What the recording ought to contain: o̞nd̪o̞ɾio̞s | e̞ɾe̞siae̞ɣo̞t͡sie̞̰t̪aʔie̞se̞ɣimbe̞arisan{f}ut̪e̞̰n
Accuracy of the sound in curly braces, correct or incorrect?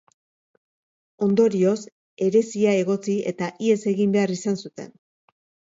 incorrect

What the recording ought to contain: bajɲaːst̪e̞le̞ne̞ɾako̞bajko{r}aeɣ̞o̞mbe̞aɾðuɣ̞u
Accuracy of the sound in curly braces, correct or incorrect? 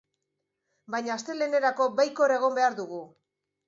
incorrect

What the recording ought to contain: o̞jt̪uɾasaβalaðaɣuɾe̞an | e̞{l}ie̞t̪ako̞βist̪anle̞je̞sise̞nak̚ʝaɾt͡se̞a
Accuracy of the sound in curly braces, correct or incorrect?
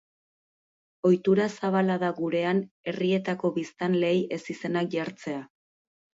incorrect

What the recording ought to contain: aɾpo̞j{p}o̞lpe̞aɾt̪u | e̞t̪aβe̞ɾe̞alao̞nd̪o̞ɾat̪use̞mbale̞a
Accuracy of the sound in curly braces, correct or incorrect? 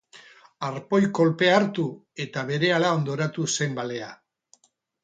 incorrect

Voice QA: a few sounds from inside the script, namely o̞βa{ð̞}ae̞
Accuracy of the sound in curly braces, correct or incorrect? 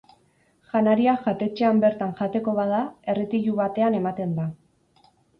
correct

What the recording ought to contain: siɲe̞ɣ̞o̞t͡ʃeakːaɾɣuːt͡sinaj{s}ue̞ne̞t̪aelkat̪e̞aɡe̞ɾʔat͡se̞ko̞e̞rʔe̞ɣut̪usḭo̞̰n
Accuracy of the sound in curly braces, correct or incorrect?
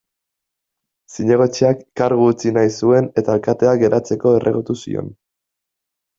correct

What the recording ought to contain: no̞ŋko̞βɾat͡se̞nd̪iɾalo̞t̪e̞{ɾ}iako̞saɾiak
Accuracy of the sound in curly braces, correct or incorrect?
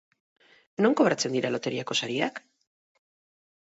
correct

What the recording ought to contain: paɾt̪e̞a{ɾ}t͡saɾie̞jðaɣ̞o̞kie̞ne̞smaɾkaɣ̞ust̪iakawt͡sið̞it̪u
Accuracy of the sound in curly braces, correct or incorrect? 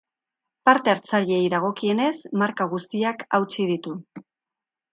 correct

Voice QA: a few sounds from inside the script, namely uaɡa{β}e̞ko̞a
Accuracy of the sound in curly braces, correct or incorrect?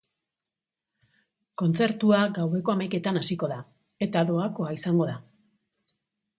incorrect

